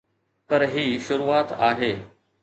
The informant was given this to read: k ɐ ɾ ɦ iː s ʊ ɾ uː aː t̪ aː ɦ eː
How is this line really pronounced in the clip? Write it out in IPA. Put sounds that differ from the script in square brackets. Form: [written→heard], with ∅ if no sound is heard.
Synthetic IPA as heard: [k→p] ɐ ɾ ɦ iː [s→ʃ] ʊ ɾ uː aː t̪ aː ɦ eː

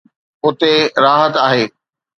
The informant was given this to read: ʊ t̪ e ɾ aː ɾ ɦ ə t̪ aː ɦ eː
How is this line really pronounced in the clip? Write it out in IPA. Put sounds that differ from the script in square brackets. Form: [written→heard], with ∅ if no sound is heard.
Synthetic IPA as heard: ʊ t̪ e ɾ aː [ɾ→∅] ɦ ə t̪ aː ɦ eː

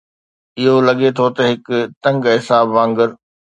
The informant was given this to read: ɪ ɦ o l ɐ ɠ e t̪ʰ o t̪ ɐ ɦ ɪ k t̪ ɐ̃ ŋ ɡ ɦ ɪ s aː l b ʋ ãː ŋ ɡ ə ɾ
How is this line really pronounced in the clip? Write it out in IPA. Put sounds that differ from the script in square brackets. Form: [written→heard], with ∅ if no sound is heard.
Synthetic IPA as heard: ɪ ɦ o l ɐ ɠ e t̪ʰ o t̪ ɐ ɦ ɪ k t̪ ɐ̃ ŋ ɡ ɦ ɪ s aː [l→∅] b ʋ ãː ŋ ɡ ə ɾ

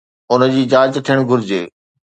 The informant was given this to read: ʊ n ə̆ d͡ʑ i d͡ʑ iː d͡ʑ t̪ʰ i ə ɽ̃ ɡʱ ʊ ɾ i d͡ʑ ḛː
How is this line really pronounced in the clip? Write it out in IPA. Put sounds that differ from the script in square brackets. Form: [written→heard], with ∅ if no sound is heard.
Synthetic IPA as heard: ʊ n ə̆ d͡ʑ [i→iː] d͡ʑ [iː→aː] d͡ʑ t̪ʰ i ə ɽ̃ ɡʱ ʊ ɾ [i→ɪ] d͡ʑ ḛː

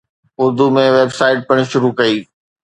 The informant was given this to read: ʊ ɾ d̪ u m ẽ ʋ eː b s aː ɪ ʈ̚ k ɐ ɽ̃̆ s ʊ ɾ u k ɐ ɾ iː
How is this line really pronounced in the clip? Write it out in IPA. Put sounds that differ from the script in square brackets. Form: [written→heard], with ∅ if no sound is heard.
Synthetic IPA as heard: ʊ ɾ d̪ u m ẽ ʋ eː b s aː ɪ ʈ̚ [k→p] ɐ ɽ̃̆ [s→ʃ] ʊ ɾ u k ɐ [ɾ→∅] iː

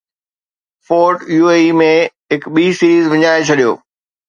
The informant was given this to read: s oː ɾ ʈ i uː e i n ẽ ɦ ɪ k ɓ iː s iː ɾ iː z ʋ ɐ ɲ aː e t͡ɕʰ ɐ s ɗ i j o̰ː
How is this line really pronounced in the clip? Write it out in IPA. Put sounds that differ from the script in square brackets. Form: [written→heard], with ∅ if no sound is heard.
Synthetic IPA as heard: [s→f] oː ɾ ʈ [i→j] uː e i [n→m] ẽ ɦ ɪ k ɓ iː s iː ɾ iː z ʋ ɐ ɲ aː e t͡ɕʰ ɐ [s→∅] ɗ i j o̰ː

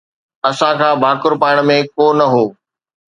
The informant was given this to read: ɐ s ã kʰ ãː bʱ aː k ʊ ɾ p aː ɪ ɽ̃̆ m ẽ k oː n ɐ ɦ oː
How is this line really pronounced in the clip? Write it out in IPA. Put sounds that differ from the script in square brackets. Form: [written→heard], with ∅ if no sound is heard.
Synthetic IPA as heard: ɐ s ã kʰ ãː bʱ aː k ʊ ɾ p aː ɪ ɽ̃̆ m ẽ k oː n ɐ ɦ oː

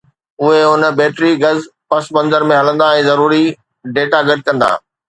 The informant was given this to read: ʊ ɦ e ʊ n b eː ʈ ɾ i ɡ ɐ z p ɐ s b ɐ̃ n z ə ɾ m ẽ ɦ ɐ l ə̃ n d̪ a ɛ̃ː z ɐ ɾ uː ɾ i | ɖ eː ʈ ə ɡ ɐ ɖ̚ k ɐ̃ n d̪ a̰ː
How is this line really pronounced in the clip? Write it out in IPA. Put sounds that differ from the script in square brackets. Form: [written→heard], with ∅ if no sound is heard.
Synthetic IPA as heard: ʊ ɦ e ʊ n b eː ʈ ɾ i ɡ ɐ z p ɐ s b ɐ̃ n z ə ɾ m ẽ ɦ ɐ l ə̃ n d̪ a ɛ̃ː z ɐ ɾ uː ɾ i | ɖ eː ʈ [ə→a] ɡ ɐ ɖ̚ k ɐ̃ n d̪ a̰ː

